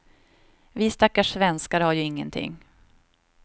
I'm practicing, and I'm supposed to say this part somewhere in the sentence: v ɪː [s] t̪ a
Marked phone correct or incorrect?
correct